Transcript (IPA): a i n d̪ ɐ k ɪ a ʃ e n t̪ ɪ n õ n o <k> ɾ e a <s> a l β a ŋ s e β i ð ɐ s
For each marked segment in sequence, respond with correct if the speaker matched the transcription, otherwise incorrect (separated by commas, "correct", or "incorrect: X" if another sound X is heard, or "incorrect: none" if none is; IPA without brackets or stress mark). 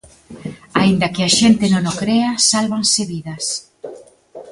correct, correct